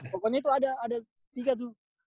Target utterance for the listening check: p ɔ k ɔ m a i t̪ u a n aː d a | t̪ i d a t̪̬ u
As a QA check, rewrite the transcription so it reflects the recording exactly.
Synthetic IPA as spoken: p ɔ k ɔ ɲ a i t̪ u a d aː d a | t̪ i ɡ a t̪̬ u